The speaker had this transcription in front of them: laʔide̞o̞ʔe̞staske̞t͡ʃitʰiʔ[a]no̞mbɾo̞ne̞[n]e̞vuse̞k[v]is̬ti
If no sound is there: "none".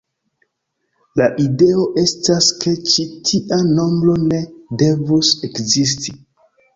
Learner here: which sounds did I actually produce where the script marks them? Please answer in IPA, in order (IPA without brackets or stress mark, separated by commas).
a, d, z